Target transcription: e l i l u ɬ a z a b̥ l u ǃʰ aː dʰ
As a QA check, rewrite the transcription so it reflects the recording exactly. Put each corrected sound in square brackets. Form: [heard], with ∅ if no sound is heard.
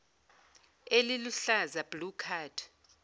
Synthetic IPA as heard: e l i l u ɬ a z a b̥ l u [kʰ] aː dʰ